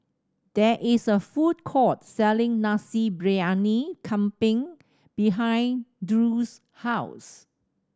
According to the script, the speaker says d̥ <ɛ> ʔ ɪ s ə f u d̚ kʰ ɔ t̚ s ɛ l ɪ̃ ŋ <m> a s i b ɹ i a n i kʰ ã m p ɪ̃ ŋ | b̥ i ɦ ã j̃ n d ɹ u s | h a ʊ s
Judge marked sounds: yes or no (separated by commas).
yes, no